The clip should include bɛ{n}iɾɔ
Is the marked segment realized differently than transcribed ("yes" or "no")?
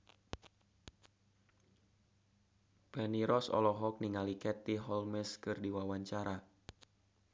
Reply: no